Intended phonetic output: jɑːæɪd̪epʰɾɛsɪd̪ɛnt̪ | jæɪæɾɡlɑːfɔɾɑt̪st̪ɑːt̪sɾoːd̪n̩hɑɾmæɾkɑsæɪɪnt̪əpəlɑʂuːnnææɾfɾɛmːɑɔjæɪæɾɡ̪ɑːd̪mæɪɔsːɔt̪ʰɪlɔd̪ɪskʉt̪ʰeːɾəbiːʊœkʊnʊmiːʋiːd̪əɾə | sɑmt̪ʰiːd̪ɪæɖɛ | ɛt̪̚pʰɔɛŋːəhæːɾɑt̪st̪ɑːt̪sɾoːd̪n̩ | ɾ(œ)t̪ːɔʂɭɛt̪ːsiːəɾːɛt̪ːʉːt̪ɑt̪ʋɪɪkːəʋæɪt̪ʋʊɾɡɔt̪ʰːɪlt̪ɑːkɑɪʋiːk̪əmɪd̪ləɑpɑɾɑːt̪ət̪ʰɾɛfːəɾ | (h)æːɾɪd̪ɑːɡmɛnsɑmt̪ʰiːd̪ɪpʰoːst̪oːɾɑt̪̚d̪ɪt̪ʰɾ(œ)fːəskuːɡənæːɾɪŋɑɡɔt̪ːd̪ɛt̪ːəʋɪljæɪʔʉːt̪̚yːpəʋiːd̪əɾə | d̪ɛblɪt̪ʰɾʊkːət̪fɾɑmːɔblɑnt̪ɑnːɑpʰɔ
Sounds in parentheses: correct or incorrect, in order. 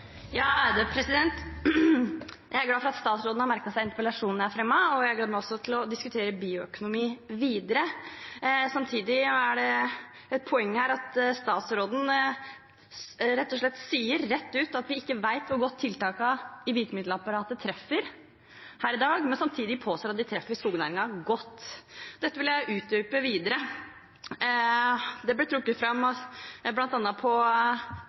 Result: incorrect, correct, incorrect

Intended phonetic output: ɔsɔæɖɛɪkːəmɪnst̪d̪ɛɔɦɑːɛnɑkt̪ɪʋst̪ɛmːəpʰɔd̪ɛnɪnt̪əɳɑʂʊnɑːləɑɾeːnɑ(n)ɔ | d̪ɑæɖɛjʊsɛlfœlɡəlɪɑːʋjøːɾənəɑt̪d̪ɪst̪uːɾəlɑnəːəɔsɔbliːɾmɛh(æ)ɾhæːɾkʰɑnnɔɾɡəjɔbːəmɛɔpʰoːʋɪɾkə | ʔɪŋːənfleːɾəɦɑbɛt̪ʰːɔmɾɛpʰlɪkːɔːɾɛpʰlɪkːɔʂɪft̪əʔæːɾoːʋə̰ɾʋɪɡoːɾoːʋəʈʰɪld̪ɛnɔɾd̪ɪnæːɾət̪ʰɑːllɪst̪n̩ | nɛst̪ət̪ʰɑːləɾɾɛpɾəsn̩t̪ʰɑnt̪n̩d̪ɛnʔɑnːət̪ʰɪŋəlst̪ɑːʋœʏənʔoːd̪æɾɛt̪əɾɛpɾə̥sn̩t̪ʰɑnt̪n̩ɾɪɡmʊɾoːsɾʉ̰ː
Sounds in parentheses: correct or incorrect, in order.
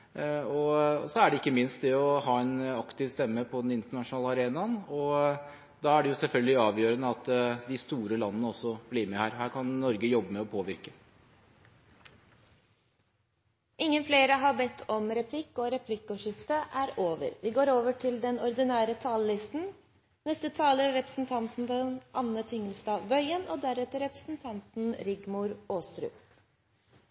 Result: correct, incorrect

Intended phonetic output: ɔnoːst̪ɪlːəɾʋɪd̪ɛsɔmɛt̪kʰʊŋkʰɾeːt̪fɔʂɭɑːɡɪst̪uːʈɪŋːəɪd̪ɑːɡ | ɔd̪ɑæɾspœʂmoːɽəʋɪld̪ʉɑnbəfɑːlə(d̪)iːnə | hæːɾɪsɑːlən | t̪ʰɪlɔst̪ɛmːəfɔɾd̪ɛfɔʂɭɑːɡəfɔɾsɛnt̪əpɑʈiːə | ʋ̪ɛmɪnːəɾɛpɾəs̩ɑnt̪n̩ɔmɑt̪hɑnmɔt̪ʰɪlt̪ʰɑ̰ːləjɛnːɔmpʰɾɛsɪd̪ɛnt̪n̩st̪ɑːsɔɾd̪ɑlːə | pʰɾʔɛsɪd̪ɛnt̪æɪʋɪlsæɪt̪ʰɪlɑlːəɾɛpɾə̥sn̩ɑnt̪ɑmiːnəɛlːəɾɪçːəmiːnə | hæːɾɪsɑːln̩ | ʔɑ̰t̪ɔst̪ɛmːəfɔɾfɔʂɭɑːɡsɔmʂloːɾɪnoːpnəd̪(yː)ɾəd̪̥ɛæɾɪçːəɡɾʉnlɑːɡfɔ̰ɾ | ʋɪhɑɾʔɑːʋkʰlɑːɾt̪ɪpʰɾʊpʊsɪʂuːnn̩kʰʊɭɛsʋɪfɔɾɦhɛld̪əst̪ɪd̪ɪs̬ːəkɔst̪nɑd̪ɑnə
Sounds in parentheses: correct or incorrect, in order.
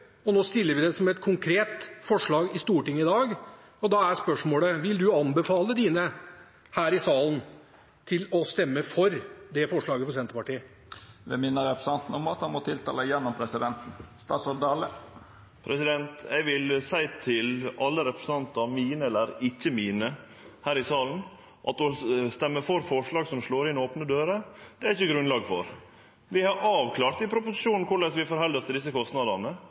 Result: correct, incorrect

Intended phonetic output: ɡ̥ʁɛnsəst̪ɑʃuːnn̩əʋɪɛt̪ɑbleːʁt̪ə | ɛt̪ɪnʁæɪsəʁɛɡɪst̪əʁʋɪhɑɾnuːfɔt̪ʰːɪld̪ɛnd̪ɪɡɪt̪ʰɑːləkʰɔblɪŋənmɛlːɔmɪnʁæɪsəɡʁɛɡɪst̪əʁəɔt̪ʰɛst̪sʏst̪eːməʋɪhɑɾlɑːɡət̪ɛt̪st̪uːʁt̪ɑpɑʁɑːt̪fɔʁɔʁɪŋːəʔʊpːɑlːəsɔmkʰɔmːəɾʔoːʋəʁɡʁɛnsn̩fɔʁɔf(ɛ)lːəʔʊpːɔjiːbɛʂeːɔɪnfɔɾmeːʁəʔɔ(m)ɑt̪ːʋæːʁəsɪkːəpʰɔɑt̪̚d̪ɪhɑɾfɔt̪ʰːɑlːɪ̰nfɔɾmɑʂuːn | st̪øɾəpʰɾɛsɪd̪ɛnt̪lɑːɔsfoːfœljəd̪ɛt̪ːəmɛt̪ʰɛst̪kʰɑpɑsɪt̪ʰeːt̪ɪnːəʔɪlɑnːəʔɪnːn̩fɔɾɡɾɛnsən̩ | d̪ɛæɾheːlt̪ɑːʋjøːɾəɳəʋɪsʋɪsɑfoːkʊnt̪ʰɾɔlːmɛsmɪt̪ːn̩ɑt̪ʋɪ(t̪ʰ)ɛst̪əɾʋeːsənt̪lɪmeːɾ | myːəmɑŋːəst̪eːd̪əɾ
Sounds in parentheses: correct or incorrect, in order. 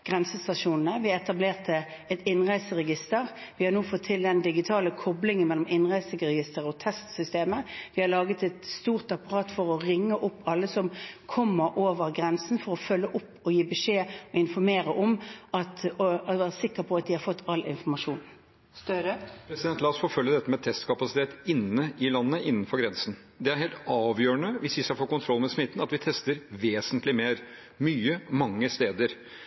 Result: incorrect, correct, correct

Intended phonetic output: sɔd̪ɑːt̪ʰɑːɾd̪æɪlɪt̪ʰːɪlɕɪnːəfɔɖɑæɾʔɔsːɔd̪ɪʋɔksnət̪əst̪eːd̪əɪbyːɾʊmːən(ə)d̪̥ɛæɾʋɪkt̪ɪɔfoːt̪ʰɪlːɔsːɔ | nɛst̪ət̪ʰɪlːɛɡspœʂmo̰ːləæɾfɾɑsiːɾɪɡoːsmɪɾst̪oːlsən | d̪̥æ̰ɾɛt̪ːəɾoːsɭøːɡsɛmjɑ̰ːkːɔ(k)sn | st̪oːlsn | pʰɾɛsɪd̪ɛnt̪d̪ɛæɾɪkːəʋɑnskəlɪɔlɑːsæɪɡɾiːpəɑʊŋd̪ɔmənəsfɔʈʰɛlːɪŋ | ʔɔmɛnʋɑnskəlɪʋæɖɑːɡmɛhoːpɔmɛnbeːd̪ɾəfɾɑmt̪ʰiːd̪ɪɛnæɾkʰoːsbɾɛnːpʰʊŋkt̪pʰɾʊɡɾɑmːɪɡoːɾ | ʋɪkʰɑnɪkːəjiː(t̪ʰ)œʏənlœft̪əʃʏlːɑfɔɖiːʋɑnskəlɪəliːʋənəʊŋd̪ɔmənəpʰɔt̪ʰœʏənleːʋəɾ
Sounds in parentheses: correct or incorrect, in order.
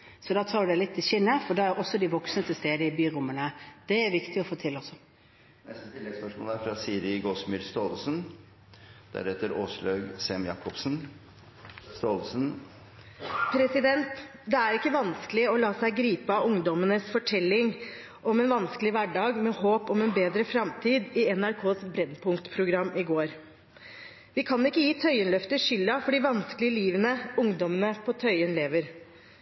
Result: correct, incorrect, correct

